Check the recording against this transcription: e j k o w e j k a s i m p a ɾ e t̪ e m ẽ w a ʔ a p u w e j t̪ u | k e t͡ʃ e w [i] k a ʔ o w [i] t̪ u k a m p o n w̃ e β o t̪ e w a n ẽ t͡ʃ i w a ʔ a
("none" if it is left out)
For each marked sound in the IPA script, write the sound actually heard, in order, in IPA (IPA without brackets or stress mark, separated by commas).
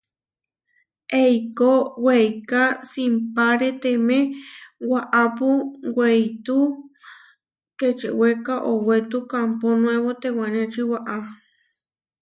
e, e